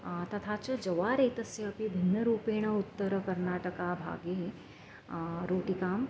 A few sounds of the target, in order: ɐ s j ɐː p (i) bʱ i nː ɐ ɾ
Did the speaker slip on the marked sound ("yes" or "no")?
no